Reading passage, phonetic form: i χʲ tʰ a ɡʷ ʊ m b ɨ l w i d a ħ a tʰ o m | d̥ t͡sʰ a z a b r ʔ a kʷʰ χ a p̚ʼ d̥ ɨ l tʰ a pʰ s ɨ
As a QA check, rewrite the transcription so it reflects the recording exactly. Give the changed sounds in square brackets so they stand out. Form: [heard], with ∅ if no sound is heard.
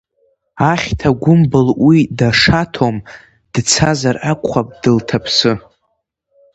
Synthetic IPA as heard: [a] χʲ tʰ a ɡʷ ʊ m b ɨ l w i d a [ʂ] a tʰ o m | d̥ t͡sʰ a z a [∅] r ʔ a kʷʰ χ a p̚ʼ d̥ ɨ l tʰ a pʰ s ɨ